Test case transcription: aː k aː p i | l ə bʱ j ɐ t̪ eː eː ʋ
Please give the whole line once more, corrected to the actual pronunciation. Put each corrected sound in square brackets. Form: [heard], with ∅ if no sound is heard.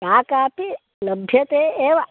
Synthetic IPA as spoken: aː k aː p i | l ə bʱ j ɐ t̪ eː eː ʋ